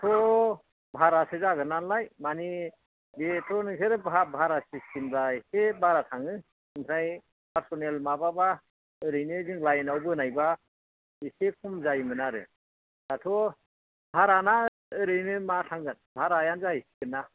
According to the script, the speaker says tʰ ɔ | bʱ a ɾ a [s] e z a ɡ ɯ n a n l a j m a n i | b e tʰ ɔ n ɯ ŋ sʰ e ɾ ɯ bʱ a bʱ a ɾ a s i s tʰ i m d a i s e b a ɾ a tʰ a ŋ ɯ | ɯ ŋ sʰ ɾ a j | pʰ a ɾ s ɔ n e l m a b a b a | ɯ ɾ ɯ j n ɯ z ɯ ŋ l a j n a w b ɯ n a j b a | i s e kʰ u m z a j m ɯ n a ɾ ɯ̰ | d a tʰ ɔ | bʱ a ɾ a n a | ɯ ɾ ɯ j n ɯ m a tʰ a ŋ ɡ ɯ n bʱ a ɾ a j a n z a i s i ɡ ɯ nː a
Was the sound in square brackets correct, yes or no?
yes